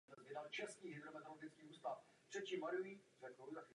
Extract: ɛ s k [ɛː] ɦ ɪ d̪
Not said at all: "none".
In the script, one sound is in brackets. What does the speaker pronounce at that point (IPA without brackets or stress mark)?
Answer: iː